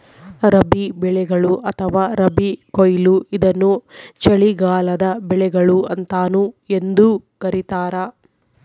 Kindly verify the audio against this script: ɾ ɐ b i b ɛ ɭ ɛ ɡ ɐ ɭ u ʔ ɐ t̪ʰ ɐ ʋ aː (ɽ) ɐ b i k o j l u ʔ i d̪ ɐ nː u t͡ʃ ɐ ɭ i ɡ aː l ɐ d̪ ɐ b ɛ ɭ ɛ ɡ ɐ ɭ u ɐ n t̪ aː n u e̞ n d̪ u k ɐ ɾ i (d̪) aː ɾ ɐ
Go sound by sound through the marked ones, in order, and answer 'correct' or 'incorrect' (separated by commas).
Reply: incorrect, incorrect